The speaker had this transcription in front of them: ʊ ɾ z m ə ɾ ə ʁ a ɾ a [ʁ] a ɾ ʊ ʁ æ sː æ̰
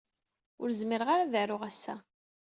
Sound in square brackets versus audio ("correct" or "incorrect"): incorrect